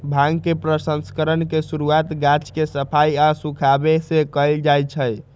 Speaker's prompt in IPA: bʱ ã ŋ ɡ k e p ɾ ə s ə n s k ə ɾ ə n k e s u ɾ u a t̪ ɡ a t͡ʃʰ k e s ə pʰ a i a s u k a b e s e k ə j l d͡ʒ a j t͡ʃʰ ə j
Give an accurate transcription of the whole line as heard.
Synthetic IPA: bʱ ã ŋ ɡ k e p ɾ ə s ə n s k ə ɾ ə n k e s u ɾ u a t̪ ɡ a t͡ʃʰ k e s ə pʰ a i a s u kʰ a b e s e k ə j l d͡ʒ a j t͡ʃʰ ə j